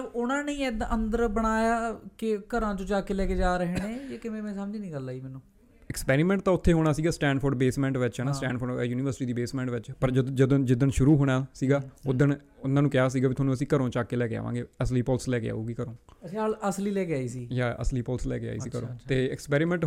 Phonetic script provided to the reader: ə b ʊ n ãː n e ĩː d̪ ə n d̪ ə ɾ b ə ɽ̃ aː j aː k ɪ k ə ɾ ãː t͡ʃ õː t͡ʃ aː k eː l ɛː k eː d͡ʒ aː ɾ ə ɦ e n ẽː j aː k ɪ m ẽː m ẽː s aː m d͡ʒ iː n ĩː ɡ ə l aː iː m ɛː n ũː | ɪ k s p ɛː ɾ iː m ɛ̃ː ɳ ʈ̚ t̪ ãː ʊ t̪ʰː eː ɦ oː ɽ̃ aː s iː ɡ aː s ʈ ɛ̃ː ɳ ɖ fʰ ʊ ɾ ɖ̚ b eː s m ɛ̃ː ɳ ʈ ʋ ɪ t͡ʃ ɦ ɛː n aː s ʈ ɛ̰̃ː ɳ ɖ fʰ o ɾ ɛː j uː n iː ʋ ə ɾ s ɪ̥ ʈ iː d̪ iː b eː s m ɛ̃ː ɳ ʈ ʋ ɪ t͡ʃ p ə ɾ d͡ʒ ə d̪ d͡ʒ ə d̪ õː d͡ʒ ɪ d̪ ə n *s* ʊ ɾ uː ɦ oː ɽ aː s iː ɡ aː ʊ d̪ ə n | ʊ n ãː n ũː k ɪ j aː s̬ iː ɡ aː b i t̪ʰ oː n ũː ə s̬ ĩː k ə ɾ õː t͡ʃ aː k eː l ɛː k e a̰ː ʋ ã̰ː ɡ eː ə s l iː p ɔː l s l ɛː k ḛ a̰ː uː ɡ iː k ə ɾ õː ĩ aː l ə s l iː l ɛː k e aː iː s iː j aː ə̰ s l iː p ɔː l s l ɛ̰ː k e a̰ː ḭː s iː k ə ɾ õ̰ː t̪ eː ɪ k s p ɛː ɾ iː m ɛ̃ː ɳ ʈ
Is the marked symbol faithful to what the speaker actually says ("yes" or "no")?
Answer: no